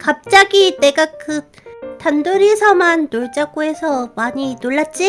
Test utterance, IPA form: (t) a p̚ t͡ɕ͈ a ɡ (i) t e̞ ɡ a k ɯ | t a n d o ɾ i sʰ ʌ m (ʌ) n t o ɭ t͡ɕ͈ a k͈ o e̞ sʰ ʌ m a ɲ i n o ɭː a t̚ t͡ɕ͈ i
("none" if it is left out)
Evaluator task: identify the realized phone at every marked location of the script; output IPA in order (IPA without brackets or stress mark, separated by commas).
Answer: k, i, a